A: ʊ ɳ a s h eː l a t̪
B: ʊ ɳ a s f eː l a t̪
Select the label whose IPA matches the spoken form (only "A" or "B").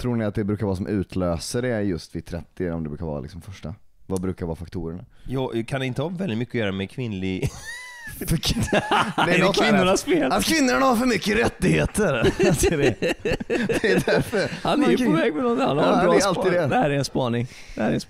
B